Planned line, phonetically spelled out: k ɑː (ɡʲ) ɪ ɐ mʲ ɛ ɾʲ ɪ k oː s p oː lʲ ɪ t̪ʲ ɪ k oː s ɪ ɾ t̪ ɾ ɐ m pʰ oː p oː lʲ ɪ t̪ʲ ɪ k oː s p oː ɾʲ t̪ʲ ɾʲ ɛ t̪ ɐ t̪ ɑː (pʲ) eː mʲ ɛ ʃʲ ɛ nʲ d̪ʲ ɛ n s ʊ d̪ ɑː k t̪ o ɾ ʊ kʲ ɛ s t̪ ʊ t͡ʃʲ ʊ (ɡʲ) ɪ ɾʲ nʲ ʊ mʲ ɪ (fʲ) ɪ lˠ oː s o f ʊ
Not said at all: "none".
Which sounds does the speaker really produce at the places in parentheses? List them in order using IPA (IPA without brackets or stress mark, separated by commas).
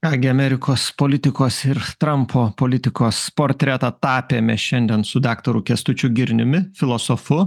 ɡʲ, pʲ, ɡʲ, fʲ